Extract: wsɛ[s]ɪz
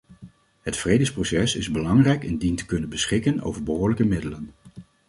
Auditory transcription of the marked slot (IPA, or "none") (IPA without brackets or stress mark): s